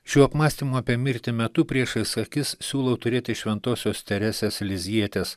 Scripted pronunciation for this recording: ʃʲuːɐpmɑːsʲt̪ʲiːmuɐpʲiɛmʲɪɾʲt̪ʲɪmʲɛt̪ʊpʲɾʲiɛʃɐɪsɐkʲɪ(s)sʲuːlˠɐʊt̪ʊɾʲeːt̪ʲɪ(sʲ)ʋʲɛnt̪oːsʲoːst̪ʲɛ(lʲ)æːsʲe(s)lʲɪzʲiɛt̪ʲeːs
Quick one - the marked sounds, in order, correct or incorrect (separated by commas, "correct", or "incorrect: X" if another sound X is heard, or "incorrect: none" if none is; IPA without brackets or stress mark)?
correct, incorrect: ʃʲ, incorrect: ɾʲ, correct